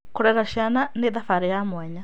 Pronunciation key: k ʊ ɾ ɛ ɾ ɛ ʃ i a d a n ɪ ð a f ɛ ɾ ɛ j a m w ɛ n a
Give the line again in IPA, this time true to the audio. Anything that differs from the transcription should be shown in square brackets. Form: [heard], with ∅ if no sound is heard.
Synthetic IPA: k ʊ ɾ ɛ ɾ [a] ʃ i a [n] a n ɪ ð a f [a] ɾ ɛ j a m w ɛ [ɲ] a